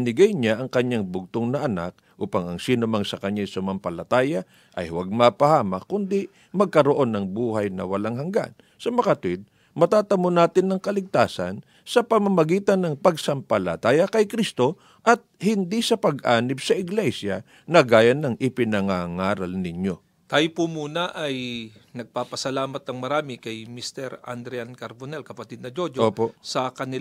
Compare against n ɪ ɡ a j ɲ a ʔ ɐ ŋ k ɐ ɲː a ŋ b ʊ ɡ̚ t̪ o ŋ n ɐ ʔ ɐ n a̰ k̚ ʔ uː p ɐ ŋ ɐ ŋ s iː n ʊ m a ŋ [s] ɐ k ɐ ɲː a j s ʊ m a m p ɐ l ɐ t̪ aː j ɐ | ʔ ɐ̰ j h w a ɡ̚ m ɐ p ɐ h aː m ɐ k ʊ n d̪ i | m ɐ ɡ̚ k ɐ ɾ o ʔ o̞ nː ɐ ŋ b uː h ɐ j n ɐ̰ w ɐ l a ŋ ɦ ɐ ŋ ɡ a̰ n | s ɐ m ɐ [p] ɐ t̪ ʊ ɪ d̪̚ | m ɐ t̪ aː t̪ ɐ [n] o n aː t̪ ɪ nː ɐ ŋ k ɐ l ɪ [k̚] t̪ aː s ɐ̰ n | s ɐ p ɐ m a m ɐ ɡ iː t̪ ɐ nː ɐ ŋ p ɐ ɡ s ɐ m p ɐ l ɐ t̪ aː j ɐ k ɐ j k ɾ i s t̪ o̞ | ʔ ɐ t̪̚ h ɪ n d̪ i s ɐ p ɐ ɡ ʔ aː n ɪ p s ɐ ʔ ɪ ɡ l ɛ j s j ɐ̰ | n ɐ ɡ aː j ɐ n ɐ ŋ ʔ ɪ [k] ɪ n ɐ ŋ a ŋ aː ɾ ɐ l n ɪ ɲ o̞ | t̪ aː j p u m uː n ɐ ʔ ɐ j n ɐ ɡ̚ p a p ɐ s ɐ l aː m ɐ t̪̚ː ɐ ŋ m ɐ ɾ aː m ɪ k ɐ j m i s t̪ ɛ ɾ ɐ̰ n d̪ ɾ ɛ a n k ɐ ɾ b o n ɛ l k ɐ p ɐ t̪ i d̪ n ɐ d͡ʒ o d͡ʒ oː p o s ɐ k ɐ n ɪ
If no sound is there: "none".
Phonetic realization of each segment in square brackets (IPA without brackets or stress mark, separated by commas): s, k, m, ɡ̚, p